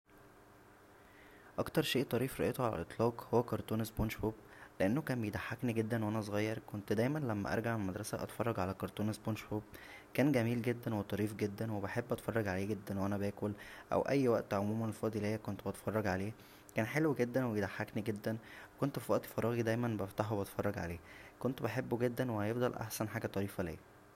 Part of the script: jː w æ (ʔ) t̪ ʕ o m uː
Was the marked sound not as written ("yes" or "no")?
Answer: no